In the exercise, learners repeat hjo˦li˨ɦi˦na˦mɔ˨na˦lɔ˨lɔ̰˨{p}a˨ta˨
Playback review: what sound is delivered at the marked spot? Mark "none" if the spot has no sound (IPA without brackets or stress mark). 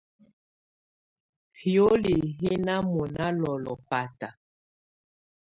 p